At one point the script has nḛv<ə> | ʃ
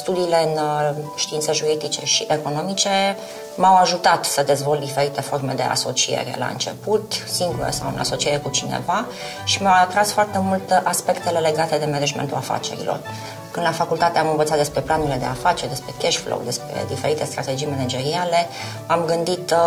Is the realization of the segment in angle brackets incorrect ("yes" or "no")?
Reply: yes